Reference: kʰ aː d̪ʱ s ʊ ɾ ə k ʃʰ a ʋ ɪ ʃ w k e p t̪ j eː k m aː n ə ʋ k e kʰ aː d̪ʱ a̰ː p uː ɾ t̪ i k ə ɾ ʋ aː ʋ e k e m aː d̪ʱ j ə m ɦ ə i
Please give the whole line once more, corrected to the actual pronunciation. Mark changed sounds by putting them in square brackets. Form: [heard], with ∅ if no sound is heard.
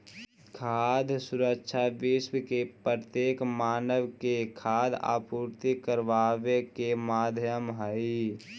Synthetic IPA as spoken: kʰ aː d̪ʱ s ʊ ɾ ə k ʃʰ a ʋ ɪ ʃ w k e p t̪ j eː k m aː n ə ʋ k e kʰ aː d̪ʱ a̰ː p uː ɾ t̪ i k ə ɾ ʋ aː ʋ e k e m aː d̪ʱ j ə m ɦ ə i

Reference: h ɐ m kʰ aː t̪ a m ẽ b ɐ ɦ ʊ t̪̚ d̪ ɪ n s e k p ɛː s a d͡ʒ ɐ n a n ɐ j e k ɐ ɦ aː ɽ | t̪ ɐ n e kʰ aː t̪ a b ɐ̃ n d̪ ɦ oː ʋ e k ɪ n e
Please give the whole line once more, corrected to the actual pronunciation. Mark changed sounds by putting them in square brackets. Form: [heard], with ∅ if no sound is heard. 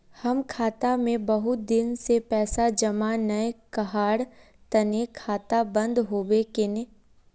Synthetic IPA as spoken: h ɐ m kʰ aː t̪ a m ẽ b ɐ ɦ ʊ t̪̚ d̪ ɪ n s e [∅] p ɛː s a d͡ʒ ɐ [m] a n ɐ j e k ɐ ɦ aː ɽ | t̪ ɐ n e kʰ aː t̪ a b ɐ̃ n d̪ ɦ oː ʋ e k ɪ n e

